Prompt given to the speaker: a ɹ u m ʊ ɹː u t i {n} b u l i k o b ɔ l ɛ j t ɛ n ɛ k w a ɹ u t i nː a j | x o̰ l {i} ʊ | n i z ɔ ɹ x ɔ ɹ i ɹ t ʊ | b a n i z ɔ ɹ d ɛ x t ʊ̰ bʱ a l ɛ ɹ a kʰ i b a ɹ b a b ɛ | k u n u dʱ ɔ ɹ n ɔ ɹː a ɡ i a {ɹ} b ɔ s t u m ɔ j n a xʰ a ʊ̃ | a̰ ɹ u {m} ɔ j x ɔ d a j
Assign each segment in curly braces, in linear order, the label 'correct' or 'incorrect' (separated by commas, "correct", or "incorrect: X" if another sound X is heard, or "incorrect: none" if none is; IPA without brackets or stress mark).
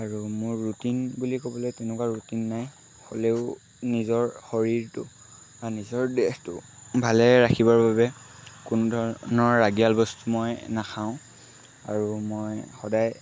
correct, incorrect: e, incorrect: l, correct